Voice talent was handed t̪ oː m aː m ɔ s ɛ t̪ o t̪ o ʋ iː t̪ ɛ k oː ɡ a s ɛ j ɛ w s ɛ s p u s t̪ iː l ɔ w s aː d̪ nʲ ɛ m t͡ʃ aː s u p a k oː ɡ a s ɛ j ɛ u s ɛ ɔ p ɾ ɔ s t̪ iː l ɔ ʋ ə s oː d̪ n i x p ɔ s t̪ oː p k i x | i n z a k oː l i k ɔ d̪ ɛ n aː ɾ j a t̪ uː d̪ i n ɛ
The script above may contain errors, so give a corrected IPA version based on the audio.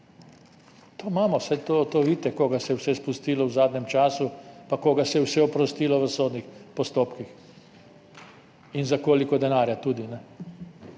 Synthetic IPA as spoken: t̪ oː m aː m ɔ s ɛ t̪ o t̪ o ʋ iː t̪ ɛ k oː ɡ a s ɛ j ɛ w s ɛ s p u s t̪ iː l ɔ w z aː d̪ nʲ ɛ m t͡ʃ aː s u p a k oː ɡ a s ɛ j ɛ w s ɛ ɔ p ɾ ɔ s t̪ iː l ɔ ʋ ə s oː d̪ n i x p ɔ s t̪ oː p k i x | i n z a k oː l i k ɔ d̪ ɛ n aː ɾ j a t̪ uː d̪ i n ɛ